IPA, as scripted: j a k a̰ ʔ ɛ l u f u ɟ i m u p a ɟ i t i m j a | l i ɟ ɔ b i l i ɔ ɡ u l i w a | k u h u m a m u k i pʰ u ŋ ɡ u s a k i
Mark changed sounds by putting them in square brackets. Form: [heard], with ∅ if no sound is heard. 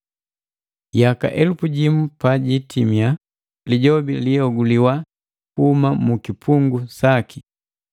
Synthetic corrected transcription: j a k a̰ ʔ ɛ l u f u ɟ i m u p a ɟ i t i m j a | l i ɟ ɔ b i l i ɔ ɡ u l i w a | k u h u m a m u k i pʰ u ŋ ɡ u s a k i